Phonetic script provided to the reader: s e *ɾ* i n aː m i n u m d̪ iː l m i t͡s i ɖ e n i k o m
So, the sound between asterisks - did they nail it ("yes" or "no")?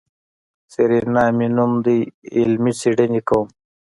yes